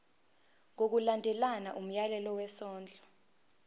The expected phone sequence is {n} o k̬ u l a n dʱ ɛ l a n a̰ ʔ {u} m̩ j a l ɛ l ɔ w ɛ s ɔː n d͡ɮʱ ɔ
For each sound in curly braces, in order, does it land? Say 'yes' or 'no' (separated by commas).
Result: no, yes